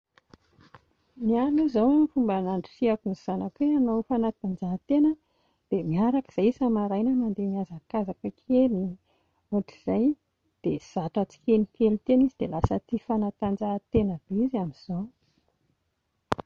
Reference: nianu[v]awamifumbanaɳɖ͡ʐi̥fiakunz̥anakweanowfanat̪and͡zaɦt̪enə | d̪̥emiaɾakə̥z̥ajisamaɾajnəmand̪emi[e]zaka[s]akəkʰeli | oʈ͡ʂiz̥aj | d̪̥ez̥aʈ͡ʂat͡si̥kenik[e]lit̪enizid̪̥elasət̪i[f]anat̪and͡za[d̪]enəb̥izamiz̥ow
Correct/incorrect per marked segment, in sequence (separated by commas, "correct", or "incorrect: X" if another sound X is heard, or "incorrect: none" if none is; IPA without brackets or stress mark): incorrect: z, incorrect: a, incorrect: z, correct, correct, incorrect: t̪